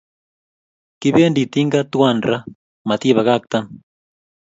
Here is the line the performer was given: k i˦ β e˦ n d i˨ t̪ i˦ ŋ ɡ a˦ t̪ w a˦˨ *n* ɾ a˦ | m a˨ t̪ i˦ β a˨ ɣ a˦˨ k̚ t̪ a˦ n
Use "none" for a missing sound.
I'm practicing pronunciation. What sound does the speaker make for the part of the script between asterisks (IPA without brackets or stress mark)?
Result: n